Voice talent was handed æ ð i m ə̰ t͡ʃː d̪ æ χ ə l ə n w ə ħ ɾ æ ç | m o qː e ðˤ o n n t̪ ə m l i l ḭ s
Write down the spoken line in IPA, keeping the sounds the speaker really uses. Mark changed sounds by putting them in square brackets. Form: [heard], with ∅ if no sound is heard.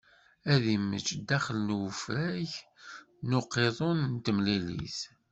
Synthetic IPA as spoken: æ ð i m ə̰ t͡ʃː d̪ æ χ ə l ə n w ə [f] ɾ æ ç | [n] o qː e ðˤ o n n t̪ ə m l i l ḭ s